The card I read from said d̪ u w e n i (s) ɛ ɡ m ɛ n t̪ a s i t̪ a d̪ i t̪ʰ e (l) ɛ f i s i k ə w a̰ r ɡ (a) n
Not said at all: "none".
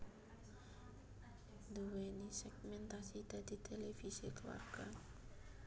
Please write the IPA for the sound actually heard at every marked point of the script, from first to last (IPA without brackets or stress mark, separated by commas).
s, l, a